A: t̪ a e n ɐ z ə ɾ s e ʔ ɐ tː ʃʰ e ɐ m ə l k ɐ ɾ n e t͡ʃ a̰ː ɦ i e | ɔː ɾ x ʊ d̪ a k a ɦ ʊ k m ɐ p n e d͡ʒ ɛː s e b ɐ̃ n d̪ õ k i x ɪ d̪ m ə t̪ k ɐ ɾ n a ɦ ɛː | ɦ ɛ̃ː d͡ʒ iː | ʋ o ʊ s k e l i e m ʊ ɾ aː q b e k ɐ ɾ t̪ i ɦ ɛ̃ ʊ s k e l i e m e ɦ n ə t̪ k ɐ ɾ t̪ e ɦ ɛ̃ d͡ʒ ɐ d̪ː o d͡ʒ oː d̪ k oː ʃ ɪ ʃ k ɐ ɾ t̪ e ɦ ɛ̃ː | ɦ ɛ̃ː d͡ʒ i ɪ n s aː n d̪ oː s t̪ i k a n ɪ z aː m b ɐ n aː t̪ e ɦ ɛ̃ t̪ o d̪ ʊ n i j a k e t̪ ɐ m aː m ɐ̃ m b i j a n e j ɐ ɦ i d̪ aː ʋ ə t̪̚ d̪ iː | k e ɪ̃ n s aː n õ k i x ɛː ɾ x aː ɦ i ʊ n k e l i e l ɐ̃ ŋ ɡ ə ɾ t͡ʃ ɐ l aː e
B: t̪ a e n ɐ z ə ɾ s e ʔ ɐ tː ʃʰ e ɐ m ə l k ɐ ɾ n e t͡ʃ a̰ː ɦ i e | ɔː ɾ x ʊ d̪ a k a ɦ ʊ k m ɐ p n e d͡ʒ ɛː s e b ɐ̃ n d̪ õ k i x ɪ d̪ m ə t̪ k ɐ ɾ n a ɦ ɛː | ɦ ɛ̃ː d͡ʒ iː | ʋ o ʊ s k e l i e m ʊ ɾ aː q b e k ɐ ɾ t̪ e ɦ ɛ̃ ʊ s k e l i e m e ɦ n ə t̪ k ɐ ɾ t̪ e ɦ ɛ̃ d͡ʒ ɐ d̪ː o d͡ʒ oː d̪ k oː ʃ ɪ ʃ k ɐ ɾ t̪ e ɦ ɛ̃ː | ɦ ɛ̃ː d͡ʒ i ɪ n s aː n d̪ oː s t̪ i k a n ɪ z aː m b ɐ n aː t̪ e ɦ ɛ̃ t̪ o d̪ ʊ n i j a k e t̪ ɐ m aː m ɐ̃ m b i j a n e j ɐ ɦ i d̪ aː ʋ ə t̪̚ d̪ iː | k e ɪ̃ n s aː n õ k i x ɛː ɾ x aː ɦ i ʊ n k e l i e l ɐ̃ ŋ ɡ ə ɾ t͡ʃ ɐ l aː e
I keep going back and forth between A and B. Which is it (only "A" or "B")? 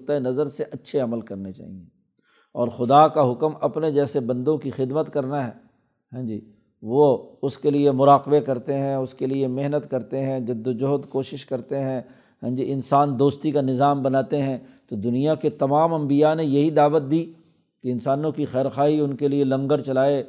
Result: B